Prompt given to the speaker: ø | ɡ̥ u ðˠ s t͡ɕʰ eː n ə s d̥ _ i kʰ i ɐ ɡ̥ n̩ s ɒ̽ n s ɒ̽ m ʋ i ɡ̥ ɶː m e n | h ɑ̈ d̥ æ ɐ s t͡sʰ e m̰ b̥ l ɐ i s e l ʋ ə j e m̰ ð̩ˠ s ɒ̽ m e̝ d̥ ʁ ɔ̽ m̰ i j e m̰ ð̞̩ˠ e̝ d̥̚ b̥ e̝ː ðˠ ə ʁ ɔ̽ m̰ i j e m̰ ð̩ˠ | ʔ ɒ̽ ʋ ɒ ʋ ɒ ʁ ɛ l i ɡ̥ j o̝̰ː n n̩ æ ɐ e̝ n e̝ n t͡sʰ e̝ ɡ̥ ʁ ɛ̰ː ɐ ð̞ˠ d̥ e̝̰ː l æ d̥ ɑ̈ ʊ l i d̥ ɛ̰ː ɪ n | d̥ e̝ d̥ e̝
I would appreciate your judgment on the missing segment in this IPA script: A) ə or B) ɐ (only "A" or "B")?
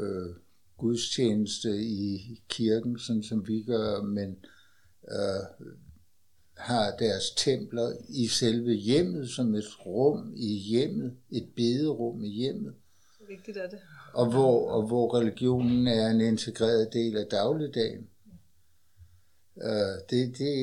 A